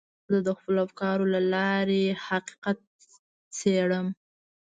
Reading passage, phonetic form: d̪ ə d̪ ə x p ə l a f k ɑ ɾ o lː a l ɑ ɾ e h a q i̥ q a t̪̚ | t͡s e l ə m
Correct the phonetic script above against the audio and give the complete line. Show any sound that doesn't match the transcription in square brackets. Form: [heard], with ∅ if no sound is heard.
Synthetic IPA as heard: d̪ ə d̪ ə x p ə l a f k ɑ ɾ o [l] a l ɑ ɾ e h a q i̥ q a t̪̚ | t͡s e [ɽ] ə m